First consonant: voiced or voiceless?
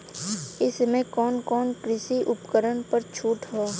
voiceless